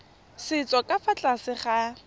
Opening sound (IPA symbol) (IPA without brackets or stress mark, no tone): s